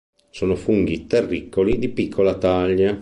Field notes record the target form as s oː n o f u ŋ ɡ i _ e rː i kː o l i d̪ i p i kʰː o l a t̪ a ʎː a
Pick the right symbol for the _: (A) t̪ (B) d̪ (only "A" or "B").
A